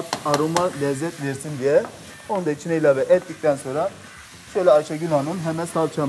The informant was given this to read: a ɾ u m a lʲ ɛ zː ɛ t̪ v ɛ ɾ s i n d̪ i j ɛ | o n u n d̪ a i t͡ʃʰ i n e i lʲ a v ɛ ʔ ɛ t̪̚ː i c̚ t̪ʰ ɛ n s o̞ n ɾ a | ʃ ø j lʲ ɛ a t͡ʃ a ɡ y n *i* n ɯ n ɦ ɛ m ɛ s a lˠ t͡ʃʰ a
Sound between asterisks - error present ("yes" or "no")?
yes